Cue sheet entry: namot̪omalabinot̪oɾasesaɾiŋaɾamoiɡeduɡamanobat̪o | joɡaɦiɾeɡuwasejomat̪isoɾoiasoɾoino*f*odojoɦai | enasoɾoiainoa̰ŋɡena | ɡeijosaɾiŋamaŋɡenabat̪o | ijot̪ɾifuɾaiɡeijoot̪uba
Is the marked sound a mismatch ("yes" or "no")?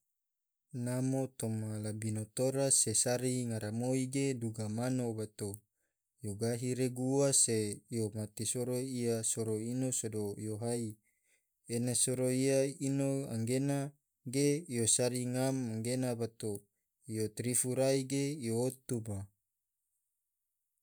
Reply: yes